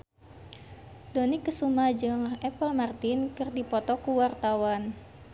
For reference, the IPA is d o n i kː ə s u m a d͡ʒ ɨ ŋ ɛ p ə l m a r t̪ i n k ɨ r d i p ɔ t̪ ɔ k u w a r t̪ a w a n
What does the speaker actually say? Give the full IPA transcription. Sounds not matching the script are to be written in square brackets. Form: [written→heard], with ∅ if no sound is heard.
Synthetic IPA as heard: d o n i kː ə s u m a d͡ʒ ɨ ŋ ɛ p ə l m a r t̪ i n k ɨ r d i p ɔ t̪ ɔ k u w a r t̪ a w a n